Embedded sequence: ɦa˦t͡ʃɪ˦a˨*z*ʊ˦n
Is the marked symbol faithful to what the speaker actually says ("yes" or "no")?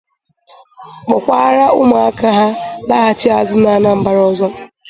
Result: yes